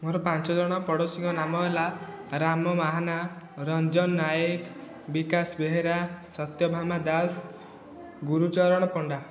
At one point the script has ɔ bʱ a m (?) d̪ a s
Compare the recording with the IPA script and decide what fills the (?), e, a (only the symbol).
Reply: a